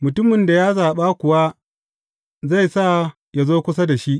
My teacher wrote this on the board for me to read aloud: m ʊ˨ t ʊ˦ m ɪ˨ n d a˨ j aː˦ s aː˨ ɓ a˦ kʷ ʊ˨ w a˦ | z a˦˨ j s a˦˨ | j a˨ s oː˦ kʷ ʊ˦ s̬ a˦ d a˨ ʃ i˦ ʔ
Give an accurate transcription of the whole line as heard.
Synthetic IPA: m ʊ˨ t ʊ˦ m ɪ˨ n d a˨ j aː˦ z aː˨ ɓ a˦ kʷ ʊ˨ w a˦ | z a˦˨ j s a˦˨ | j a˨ z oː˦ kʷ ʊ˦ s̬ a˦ d a˨ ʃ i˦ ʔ